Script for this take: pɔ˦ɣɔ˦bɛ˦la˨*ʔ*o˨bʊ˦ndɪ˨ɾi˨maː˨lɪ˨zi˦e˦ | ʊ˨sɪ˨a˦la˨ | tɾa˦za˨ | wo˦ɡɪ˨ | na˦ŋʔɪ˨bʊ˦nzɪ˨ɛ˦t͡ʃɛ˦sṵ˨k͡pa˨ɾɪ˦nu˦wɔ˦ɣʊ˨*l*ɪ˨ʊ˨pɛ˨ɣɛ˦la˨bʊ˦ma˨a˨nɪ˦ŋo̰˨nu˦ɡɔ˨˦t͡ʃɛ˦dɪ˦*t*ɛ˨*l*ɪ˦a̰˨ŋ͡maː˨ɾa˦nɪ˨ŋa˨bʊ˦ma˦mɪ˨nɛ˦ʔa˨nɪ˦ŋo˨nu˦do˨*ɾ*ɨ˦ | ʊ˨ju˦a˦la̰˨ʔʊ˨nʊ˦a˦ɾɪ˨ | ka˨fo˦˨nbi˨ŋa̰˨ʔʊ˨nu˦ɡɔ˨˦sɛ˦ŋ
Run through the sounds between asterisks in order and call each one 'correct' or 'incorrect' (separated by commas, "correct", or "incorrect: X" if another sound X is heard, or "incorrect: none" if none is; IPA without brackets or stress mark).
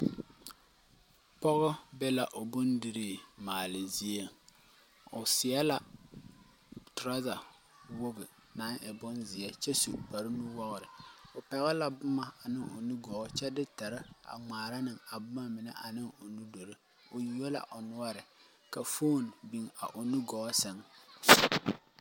correct, incorrect: ɾ, correct, incorrect: ɾ, correct